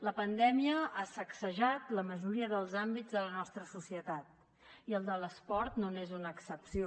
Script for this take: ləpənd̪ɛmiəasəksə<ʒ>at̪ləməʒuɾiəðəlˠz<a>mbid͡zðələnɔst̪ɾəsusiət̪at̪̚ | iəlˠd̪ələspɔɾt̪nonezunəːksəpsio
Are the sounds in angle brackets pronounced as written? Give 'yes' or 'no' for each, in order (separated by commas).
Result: yes, yes